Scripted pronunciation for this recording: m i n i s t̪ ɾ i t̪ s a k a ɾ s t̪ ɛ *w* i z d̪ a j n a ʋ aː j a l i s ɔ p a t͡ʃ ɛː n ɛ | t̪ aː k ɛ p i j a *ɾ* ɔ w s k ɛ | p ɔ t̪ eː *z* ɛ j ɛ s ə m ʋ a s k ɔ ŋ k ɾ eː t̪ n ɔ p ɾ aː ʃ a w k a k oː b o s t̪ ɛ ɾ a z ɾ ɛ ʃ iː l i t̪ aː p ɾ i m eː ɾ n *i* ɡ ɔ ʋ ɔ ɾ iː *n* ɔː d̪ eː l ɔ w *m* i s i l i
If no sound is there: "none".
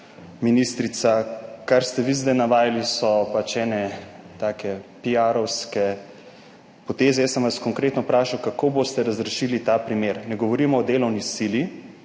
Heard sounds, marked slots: ʋ, ɾ, z, ɛ, m, n

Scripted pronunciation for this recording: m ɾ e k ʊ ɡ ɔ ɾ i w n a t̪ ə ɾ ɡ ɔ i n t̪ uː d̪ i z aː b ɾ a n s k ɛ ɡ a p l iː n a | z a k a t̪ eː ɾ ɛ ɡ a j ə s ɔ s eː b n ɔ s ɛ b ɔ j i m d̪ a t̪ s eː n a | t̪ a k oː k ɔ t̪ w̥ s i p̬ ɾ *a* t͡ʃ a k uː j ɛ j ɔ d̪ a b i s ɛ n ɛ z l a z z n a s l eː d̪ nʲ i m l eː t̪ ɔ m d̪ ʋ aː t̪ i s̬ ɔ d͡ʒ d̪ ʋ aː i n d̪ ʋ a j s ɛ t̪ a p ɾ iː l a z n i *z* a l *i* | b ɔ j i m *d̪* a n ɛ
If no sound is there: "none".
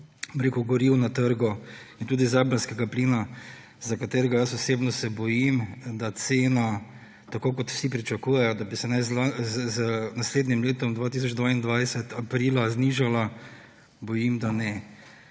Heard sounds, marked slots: i, ʒ, a, d̪

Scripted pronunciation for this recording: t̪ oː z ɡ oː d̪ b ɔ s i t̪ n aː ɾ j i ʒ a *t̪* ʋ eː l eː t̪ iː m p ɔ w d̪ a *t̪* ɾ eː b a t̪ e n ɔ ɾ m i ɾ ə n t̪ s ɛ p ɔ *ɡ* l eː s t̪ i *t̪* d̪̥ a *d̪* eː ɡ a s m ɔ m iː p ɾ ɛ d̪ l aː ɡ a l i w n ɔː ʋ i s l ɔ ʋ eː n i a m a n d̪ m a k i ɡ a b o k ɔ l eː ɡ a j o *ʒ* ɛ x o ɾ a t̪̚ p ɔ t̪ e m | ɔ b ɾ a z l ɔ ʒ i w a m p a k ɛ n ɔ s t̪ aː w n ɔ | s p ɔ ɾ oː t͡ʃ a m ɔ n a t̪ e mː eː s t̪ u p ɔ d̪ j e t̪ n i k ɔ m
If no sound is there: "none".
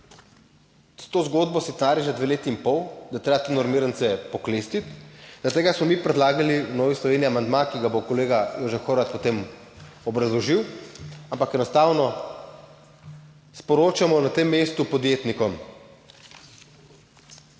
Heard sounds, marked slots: d̪, t̪, k, t̪, t̪, ʒ

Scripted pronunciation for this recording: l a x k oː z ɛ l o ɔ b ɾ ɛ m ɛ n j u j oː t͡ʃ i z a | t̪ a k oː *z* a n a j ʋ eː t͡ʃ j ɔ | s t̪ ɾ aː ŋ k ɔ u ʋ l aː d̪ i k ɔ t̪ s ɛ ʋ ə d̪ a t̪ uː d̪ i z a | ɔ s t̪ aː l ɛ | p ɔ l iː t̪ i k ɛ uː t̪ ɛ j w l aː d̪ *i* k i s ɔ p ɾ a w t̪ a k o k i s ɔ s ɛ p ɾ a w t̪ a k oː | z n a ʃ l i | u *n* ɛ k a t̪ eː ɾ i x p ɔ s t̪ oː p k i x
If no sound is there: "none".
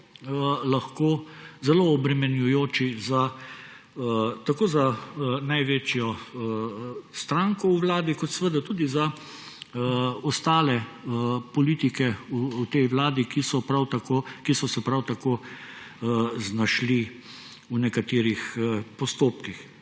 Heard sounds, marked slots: z, i, n

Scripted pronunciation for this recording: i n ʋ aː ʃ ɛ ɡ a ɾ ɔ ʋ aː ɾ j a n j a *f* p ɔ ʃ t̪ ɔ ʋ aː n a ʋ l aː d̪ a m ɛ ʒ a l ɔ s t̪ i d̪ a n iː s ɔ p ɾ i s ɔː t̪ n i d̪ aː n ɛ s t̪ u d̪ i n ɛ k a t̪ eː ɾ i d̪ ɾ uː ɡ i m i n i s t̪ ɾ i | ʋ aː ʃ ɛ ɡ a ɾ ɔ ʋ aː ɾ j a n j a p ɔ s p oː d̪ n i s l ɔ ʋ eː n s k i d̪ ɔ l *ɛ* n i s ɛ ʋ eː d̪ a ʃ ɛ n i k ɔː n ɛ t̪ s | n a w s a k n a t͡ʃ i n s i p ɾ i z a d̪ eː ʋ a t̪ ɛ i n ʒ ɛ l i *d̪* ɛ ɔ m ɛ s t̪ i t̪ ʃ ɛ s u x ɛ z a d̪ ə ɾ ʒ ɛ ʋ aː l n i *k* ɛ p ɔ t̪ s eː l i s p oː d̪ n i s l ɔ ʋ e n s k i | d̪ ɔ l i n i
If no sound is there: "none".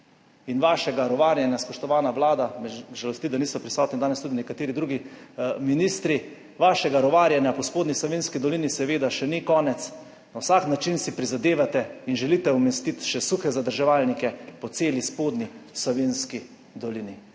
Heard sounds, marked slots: s, i, t̪, k

